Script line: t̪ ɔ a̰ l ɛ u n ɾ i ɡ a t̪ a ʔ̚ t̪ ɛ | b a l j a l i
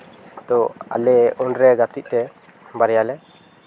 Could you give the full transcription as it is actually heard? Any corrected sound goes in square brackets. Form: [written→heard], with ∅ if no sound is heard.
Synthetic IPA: t̪ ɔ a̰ l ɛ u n ɾ [i→ɛ] ɡ a t̪ [a→i] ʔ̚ t̪ ɛ | b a [l→ɾ] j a l [i→ɛ]